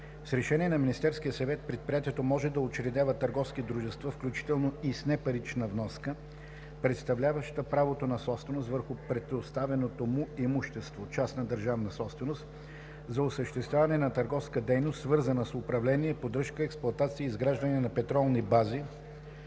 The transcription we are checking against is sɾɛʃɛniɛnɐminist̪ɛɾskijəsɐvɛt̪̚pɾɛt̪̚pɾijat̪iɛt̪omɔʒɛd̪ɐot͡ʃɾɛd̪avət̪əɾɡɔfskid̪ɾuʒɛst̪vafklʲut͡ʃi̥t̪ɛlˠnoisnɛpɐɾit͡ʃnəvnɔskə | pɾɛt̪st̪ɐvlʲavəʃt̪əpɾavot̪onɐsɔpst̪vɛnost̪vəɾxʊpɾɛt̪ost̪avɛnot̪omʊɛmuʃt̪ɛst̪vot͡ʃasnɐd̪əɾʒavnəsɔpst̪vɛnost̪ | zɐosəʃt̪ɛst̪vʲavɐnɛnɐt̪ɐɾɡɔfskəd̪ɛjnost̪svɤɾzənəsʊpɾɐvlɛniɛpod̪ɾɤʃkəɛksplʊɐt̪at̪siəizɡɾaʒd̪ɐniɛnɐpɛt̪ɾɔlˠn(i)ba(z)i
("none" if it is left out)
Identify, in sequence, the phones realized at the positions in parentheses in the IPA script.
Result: i, z

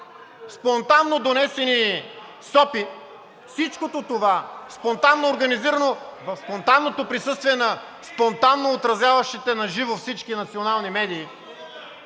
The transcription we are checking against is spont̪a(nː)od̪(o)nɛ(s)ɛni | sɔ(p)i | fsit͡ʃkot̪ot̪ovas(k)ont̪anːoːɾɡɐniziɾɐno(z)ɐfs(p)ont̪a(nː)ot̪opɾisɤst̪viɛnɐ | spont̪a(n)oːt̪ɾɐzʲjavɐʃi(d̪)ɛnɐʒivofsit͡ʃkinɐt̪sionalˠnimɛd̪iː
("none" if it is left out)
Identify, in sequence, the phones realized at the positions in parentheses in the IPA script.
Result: nː, o, s, p, p, v, p, nː, nː, t̪

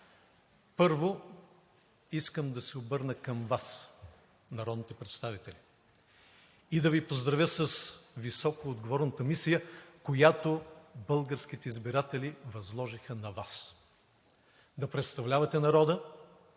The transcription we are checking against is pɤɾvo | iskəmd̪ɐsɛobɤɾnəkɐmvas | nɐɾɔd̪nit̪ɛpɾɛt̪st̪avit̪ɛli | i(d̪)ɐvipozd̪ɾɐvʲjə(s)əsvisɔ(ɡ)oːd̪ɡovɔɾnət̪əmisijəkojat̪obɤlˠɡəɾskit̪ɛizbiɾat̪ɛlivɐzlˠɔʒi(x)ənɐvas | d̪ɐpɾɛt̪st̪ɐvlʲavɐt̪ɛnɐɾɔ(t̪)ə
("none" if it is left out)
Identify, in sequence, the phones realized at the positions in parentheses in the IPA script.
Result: d̪, s, k, x, d̪

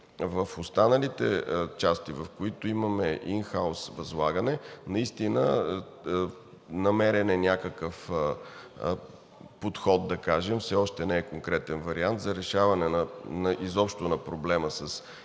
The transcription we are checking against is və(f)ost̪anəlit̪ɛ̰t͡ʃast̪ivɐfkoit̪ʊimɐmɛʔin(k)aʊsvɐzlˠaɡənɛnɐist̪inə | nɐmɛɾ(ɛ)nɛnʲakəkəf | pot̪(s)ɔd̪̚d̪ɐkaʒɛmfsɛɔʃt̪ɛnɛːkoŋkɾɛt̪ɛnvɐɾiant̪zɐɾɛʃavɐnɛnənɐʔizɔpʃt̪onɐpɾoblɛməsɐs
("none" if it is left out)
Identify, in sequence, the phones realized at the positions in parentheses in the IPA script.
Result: f, x, ɛ, x

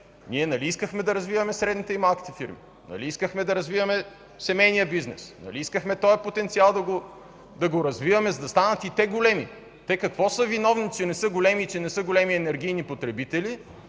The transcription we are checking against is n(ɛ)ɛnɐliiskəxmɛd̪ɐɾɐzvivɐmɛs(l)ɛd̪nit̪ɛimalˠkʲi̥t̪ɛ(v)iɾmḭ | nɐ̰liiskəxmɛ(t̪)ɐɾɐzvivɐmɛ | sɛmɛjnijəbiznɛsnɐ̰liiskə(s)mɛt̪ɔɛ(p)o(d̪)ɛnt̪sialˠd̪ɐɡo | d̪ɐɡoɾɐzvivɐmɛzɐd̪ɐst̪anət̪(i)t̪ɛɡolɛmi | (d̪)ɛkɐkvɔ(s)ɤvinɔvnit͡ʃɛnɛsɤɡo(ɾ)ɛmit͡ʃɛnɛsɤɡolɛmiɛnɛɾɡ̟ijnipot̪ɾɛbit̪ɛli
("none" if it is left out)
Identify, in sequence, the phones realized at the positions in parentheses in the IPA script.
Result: i, ɾ, f, d̪, x, p, t̪, i, t̪, s, l

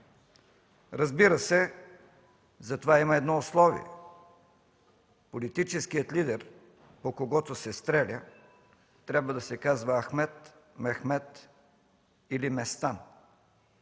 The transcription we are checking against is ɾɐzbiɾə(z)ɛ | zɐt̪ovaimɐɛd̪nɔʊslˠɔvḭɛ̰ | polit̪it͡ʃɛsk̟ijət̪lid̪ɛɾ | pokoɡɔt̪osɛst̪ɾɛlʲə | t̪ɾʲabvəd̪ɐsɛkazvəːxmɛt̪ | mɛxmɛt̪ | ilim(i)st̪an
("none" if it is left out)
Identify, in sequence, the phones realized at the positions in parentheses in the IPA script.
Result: s, ɛ

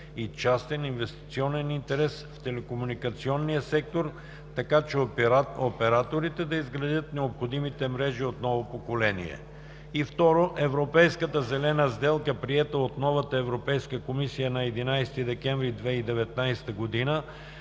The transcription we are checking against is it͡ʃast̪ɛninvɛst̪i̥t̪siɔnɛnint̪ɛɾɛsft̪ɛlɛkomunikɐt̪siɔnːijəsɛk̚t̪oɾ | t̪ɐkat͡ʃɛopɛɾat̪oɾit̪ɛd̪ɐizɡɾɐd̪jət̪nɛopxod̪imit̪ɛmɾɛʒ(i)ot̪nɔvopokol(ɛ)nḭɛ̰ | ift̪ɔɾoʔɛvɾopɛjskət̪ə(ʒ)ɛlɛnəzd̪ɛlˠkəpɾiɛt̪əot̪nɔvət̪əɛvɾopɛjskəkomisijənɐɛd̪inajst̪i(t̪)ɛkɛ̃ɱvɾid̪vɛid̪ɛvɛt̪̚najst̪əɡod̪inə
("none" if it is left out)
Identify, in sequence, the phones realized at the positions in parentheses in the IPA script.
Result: i, ɛ, z, d̪

